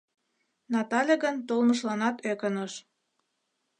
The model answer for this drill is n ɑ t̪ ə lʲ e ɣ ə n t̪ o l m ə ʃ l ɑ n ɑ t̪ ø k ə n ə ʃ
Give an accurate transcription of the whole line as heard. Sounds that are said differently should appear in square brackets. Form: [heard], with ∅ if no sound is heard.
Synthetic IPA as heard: n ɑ t̪ [ɑ] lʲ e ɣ ə n t̪ o l m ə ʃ l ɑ n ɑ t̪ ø k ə n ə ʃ